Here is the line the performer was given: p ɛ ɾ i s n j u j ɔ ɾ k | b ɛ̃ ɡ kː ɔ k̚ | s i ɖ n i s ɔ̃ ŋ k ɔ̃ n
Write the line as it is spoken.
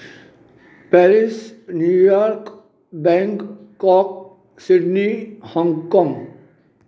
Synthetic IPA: p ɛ ɾ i s n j u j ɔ ɾ k | b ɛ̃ ŋ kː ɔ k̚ | s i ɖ n i h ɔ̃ ŋ k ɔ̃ ŋ